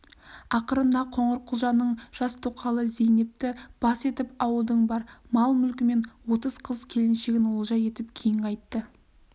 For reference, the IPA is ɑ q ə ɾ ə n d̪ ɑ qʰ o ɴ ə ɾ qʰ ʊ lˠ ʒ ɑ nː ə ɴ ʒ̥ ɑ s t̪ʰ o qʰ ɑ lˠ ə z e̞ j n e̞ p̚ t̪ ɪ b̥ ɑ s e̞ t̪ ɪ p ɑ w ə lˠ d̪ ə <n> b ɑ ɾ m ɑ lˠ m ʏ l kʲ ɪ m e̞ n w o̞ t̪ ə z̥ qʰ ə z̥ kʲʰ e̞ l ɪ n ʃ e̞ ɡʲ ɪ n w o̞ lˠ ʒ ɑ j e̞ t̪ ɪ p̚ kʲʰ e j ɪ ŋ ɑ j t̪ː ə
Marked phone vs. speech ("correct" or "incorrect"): incorrect